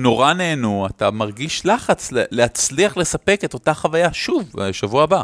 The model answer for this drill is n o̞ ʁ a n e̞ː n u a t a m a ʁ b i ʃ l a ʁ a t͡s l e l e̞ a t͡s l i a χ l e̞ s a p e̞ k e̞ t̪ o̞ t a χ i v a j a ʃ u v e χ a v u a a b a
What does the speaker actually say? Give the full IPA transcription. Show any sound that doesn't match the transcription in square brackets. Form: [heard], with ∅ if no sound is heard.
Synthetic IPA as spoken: n o̞ ʁ a n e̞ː n u a t a m a ʁ [ɡ] i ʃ l a [χ] a t͡s l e l e̞ a t͡s l i a χ l e̞ s a p e̞ k e̞ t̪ o̞ t a χ [a] v a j a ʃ u v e [ʃ] a v u a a b a